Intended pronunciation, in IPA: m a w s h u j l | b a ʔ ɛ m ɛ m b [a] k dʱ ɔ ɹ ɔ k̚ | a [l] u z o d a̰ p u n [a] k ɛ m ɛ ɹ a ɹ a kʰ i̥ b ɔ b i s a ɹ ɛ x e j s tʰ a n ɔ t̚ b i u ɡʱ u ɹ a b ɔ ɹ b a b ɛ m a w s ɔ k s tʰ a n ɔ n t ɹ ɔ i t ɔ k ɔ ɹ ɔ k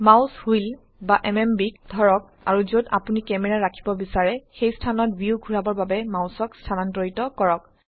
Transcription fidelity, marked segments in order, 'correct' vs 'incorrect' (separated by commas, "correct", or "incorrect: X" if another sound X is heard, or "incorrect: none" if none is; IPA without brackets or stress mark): incorrect: i, incorrect: ɹ, incorrect: i